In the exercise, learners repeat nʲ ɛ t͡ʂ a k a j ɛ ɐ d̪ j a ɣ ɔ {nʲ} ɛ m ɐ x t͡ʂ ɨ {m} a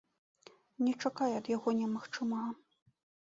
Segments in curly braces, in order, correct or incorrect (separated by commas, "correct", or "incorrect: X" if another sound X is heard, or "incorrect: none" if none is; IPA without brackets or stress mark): correct, correct